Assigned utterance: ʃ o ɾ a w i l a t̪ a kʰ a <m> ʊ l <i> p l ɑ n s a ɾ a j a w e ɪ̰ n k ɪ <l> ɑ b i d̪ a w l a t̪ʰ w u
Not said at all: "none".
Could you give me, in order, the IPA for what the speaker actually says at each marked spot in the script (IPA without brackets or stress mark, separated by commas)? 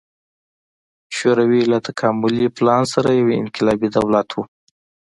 m, i, l